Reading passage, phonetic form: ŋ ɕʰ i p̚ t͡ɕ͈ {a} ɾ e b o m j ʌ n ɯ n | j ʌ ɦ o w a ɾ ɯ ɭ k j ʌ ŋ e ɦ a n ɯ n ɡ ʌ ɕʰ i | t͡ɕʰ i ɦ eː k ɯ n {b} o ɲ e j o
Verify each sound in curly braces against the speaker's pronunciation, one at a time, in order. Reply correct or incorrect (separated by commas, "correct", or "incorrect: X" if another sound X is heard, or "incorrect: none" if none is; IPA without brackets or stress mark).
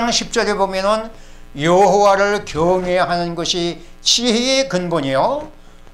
incorrect: ʌ, correct